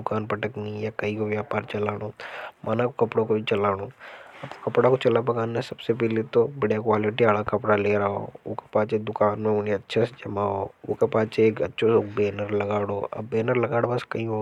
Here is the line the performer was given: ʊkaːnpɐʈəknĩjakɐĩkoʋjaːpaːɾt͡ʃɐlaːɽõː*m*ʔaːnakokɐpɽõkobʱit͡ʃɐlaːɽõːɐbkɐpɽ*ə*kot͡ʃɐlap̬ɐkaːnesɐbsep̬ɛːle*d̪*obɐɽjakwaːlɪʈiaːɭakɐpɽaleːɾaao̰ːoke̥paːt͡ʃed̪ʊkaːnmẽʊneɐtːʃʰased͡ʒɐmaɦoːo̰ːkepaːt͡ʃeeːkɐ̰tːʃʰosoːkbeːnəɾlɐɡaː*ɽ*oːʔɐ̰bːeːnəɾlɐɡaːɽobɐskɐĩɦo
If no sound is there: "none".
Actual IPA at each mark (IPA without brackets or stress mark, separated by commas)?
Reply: m, a, t̪, ɽ